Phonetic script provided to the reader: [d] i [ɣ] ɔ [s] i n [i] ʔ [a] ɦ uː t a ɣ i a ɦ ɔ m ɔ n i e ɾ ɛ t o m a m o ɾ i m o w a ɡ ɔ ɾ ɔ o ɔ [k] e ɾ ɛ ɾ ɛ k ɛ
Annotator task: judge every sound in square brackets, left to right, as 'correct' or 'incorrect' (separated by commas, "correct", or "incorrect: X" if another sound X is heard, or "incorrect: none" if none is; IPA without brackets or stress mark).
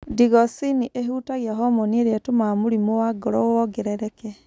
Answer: correct, correct, correct, correct, incorrect: e, incorrect: ɡ